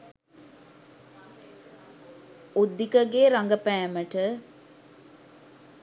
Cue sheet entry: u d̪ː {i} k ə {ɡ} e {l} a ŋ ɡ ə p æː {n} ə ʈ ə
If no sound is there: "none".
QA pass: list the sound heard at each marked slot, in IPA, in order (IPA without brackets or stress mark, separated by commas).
i, ɡ, ɾ, m